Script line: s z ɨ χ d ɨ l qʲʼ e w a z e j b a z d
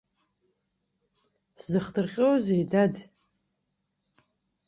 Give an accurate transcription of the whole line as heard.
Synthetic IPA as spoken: s z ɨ χ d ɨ r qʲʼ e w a z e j d a d